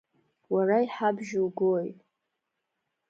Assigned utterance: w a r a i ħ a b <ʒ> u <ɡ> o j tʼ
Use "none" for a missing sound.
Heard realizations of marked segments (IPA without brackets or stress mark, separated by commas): ʒ, ɡ